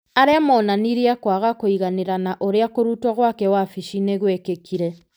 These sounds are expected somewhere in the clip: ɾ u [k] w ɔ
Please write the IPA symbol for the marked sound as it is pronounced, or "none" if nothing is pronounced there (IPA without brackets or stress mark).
t